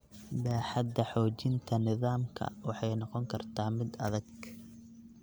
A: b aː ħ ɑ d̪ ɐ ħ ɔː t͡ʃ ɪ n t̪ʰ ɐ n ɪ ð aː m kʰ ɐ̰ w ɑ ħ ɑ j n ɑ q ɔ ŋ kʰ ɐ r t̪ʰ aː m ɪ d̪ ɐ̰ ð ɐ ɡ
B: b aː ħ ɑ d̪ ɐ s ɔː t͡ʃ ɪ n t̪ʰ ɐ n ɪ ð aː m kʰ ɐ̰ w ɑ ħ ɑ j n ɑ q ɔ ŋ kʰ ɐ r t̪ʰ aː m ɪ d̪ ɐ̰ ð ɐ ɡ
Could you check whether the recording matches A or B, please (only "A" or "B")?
A